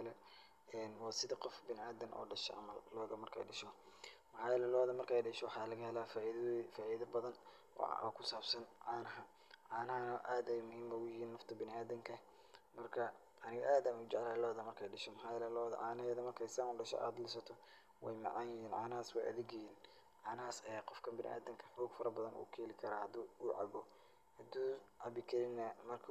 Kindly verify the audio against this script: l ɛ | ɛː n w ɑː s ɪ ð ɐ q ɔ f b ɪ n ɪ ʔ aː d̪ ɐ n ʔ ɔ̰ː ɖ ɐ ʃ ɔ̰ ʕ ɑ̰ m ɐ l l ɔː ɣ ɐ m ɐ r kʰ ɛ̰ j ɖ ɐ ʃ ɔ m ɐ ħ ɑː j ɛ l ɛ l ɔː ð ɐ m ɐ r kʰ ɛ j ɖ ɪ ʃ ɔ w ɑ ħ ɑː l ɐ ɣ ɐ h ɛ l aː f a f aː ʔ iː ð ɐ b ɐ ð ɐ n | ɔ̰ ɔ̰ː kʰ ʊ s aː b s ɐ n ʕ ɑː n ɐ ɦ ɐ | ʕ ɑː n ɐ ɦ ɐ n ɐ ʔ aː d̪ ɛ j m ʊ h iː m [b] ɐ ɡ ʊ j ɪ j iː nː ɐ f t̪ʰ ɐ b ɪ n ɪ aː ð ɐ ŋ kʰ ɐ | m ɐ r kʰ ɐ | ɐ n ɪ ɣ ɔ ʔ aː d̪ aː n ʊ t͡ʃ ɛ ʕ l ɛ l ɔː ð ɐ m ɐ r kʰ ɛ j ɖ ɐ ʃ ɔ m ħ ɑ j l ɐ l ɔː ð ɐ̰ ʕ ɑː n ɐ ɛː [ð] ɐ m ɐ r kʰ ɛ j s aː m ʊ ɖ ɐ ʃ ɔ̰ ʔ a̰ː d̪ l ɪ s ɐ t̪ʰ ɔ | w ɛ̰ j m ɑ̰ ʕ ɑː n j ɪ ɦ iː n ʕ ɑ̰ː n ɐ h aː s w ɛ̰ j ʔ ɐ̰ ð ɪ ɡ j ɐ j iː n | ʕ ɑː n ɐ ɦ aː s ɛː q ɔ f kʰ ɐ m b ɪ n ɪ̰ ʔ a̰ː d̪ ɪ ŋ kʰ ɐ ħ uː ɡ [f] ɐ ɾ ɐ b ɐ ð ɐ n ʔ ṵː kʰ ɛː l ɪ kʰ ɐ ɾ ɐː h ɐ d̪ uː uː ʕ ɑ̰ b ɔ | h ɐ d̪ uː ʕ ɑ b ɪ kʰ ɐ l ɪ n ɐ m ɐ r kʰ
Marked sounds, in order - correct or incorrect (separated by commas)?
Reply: correct, correct, correct